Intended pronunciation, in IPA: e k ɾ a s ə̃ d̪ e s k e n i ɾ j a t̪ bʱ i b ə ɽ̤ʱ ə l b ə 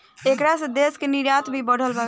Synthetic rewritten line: e k ɾ a s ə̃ d̪ e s k e n i ɾ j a t̪ bʱ i b ə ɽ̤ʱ ə l b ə